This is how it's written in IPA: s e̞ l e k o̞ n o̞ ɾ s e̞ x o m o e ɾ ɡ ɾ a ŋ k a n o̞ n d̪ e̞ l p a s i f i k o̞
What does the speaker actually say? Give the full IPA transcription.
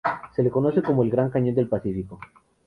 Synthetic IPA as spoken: s e̞ l e k o̞ n o̞ s e̞ k o m o e l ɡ ɾ a ŋ k a ɲ o̞ n d̪ e̞ l p a s i f i k o̞